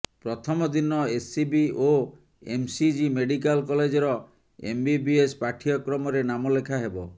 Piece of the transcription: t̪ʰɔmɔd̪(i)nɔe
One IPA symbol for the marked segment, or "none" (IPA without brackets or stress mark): i